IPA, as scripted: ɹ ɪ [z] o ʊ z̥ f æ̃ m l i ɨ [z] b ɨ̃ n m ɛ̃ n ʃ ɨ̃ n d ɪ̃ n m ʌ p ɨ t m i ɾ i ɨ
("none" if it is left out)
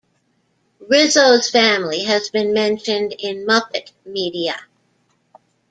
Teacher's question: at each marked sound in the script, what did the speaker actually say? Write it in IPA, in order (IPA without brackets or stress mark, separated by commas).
z, z